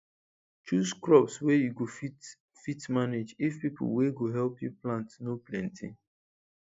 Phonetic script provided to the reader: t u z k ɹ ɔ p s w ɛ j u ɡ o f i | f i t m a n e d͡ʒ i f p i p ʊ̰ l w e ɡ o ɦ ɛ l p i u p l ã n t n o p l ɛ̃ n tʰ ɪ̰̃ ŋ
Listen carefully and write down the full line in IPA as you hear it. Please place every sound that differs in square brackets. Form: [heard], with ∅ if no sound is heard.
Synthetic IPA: [t͡ʃ] u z k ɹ ɔ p s w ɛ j u ɡ o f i | f i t m a n e d͡ʒ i f p i p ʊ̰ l w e ɡ o ɦ ɛ l p [j] u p l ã n t n o p l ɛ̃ n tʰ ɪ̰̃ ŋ